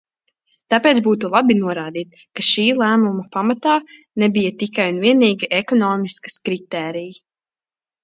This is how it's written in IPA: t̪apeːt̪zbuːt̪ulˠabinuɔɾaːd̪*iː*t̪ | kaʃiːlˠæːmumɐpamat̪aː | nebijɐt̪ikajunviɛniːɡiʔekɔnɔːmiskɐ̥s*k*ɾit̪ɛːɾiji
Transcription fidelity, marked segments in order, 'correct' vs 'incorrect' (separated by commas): correct, correct